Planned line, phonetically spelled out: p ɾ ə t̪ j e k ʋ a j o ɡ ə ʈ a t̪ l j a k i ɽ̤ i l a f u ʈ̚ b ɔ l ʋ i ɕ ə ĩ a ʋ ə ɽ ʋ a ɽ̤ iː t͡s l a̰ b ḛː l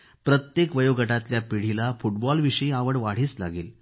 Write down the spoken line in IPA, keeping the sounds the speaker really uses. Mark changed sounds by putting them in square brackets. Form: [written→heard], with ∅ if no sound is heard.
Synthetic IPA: p ɾ ə t̪ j e k ʋ [a→ə] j o ɡ ə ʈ a t̪ l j a [k→p] i ɽ̤ i l a f u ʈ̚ b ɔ l ʋ i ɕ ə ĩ a ʋ ə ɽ ʋ a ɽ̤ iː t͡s l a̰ [b→ɡ] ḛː l